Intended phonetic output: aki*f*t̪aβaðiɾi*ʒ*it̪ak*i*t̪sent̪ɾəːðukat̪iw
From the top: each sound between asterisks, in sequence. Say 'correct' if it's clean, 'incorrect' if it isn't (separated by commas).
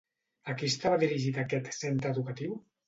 incorrect, correct, incorrect